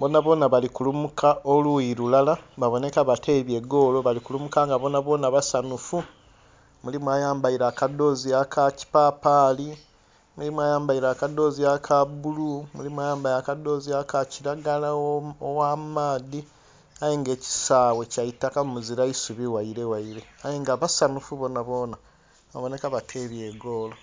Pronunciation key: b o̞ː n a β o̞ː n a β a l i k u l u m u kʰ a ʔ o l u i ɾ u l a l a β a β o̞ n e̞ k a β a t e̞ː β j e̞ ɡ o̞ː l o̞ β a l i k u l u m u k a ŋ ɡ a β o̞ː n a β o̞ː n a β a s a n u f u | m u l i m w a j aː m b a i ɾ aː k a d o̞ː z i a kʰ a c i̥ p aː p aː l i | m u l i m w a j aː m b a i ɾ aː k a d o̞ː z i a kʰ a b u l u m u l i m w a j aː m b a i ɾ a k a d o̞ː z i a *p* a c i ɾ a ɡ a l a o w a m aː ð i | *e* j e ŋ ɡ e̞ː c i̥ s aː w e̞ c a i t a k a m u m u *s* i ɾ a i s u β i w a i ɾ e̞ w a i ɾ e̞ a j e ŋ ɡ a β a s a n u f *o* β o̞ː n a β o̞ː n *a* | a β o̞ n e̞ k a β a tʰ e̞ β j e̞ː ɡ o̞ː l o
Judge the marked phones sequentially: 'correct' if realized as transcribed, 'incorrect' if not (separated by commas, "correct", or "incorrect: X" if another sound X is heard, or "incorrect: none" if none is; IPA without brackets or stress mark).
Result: incorrect: k, incorrect: a, incorrect: z, incorrect: u, correct